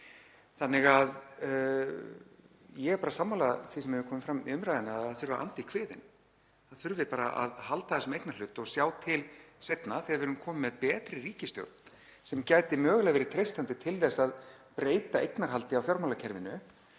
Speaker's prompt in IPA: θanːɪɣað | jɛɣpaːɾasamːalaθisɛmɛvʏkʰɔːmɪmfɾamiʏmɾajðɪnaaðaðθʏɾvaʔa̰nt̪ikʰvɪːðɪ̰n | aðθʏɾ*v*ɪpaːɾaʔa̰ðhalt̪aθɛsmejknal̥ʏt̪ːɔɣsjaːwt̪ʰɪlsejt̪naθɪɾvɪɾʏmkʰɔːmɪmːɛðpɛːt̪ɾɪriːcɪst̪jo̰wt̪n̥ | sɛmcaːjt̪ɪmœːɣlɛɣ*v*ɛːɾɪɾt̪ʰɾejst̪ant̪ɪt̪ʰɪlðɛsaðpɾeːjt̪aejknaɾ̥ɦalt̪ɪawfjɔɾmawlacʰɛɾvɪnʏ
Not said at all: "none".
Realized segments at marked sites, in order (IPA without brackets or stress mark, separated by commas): v, v